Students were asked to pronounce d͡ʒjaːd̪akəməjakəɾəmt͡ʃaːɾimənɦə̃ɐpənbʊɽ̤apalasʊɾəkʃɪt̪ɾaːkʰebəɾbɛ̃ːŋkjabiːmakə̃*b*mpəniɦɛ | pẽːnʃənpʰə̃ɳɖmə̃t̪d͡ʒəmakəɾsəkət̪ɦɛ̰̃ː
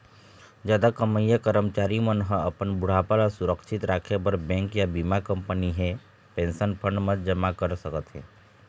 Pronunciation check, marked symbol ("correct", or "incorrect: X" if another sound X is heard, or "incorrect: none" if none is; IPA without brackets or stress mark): incorrect: none